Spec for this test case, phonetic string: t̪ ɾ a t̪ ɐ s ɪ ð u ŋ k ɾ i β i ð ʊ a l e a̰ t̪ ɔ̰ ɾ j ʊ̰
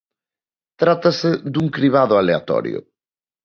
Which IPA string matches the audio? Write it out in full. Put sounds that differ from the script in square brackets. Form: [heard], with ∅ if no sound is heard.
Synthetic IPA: t̪ ɾ a t̪ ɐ s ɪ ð u ŋ k ɾ i β [a] ð ʊ a l e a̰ t̪ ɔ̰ ɾ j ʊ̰